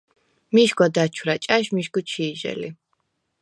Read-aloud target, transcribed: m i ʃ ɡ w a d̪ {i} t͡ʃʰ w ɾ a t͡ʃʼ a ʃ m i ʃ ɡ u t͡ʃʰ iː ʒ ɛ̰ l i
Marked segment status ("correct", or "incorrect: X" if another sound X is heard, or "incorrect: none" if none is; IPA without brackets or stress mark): incorrect: a